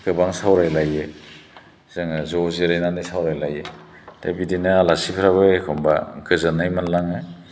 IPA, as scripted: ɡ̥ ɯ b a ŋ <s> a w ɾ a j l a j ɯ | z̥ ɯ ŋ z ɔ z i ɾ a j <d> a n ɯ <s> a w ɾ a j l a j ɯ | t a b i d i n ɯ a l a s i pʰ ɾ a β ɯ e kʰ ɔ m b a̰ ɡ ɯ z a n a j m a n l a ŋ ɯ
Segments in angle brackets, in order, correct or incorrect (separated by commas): correct, incorrect, correct